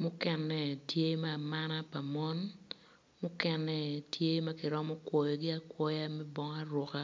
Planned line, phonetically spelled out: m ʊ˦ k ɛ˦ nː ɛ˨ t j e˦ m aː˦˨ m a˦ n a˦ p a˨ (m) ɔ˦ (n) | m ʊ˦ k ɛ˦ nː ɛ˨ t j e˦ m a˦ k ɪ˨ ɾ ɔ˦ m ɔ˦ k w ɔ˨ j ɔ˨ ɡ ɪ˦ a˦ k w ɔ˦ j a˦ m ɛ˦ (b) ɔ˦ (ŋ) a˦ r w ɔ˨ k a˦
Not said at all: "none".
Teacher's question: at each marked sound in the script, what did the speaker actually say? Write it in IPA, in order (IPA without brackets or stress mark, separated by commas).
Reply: m, n, b, ŋ